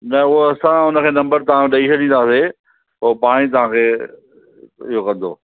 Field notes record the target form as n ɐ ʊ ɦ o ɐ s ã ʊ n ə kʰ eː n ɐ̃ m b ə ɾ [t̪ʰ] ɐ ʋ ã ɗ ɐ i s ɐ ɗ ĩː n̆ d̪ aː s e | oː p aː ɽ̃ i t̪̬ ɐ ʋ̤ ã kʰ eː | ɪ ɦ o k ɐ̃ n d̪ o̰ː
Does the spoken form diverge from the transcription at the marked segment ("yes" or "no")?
yes